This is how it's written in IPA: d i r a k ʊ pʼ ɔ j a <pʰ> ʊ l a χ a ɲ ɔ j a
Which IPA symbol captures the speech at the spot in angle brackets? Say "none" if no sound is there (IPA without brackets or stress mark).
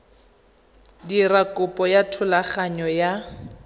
tʰ